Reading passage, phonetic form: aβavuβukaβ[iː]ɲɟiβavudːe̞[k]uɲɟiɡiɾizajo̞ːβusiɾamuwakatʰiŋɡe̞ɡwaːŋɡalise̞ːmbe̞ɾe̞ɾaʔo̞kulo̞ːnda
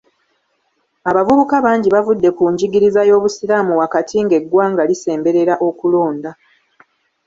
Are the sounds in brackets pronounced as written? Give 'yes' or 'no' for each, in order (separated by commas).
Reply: no, yes